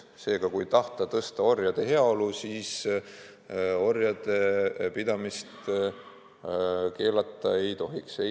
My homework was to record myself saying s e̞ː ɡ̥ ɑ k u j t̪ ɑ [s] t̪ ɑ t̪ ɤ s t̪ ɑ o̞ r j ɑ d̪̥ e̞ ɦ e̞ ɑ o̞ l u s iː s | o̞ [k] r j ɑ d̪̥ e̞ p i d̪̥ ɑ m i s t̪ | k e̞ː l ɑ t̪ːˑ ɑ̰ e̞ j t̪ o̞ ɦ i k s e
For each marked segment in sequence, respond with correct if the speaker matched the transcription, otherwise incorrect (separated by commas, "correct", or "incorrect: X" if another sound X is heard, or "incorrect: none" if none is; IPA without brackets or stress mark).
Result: incorrect: h, incorrect: none